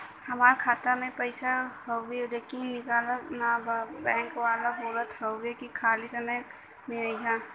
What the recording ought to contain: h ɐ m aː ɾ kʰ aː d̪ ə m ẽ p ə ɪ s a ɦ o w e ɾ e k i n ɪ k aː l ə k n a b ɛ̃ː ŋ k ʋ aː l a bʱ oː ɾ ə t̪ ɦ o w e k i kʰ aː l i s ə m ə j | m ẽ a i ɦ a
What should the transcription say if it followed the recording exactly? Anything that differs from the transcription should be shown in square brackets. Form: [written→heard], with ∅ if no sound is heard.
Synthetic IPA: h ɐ m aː ɾ kʰ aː [d̪→t̪] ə m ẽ p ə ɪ s a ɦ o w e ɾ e k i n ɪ k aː l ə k n a b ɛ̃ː ŋ k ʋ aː l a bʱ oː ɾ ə t̪ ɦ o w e k i kʰ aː l i s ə m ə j | m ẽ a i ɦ a